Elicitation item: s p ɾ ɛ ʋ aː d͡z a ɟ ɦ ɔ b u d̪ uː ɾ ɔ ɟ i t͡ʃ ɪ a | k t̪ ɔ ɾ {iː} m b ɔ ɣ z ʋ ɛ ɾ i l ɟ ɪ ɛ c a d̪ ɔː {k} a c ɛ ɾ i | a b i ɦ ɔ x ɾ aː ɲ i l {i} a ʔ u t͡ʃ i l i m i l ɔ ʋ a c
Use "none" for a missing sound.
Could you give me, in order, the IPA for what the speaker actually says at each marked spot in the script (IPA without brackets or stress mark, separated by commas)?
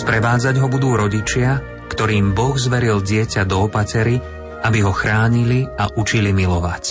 iː, p, i